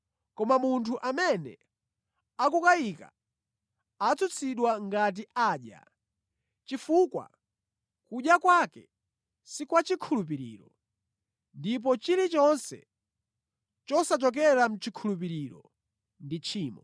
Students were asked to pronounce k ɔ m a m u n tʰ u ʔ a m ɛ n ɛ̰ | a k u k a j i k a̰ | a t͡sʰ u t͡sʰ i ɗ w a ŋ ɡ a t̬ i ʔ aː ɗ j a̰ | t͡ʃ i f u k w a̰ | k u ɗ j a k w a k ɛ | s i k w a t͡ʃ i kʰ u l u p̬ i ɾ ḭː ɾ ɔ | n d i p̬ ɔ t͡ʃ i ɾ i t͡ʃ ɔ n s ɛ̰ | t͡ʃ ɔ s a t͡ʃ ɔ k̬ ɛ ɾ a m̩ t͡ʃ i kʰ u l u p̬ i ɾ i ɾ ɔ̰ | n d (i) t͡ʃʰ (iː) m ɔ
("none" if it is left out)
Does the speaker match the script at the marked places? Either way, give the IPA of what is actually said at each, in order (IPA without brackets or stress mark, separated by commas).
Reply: i, iː